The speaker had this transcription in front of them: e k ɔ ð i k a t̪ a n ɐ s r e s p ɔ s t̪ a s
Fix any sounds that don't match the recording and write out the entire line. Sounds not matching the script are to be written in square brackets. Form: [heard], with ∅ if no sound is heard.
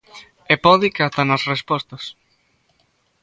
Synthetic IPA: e [p] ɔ ð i k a t̪ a n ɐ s r e s p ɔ s t̪ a s

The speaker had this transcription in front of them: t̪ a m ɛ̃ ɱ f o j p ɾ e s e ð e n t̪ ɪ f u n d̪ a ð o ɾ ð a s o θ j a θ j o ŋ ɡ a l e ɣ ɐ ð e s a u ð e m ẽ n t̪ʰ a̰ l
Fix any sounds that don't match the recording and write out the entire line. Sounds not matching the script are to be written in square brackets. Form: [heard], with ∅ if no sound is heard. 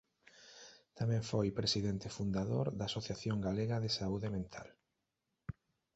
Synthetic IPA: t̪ a m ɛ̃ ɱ f o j p ɾ e s [i] ð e n t̪ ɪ f u n d̪ a ð o ɾ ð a s o θ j a θ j o ŋ ɡ a l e ɣ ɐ ð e s a u ð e m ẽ n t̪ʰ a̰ l

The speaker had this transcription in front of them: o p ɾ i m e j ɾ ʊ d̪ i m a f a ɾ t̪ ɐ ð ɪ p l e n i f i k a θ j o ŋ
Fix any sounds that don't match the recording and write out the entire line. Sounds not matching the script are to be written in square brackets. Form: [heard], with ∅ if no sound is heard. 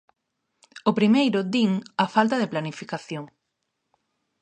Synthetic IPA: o p ɾ i m e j ɾ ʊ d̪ i [ŋ] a f a [l] t̪ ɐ ð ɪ p l [a] n i f i k a θ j o ŋ

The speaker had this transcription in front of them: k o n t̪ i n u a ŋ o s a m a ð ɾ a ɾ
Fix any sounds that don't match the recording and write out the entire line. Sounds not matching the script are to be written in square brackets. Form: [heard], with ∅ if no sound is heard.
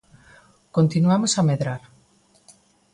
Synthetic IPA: k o n t̪ i n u a [m] o s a m [e] ð ɾ a ɾ

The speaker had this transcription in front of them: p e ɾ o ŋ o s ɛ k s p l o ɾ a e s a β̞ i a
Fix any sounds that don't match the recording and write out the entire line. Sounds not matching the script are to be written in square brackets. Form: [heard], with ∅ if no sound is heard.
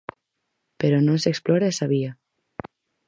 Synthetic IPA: p e ɾ o [n] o s [e] k s p l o ɾ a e s a β̞ i a

